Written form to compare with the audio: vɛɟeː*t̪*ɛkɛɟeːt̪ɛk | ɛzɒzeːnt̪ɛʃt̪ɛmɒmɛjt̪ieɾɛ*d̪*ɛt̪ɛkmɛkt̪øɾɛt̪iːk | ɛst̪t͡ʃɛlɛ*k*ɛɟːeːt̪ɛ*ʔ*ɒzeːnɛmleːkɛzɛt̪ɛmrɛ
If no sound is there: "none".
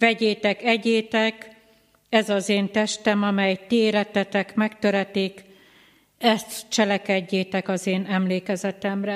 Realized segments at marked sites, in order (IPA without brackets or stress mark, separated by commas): t̪, t̪, k, k